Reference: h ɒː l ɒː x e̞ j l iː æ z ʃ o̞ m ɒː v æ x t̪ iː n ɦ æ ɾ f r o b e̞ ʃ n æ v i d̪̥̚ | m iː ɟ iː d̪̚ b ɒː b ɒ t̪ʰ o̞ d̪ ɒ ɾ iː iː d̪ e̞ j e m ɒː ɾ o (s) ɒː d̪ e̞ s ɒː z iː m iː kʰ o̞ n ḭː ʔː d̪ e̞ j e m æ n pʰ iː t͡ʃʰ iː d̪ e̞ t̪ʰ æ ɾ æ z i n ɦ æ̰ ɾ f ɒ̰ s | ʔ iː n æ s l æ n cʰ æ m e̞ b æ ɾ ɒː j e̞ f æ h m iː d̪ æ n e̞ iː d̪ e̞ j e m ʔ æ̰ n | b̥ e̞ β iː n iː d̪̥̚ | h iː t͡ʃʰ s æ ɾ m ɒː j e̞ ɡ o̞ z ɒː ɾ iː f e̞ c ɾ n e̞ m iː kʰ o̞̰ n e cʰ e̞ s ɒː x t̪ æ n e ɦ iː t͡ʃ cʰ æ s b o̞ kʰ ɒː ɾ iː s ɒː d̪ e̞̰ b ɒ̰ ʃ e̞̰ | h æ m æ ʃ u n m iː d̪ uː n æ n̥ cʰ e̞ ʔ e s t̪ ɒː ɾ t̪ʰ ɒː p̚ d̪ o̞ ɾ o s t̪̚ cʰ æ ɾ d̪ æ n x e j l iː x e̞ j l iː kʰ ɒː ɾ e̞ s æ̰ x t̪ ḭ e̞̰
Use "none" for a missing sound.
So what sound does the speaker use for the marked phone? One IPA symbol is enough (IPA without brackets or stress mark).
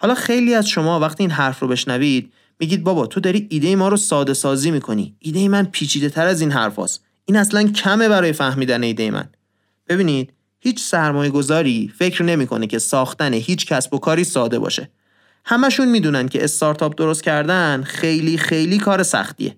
s